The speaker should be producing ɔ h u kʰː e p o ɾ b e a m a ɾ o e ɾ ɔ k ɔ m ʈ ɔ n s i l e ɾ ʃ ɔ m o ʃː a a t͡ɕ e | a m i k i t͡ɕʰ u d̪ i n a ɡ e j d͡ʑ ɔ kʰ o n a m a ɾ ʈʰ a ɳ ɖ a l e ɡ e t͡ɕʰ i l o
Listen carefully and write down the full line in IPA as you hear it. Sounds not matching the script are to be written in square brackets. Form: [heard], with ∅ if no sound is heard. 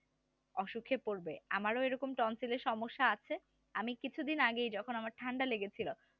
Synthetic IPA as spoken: ɔ [ʃ] u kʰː e p o ɾ b e a m a ɾ o e ɾ ɔ k [o] m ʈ ɔ n s i l e ɾ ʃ ɔ m o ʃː a a [t͡ɕʰ] e | a m i k i t͡ɕʰ u d̪ i n a ɡ e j d͡ʑ ɔ kʰ o n a m a ɾ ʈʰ a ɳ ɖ a l e ɡ e t͡ɕʰ i l o